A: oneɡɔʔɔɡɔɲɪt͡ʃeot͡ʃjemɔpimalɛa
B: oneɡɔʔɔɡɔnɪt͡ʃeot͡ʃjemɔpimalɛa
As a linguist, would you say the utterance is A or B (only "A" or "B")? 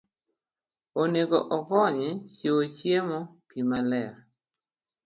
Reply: A